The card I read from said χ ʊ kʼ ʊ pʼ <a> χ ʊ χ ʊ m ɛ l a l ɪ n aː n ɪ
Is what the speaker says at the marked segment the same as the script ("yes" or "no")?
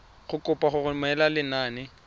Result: yes